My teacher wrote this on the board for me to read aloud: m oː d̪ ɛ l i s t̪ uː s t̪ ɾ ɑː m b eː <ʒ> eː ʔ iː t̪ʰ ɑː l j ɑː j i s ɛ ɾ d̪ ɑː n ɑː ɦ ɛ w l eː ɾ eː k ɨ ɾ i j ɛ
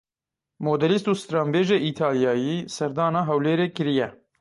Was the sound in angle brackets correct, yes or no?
yes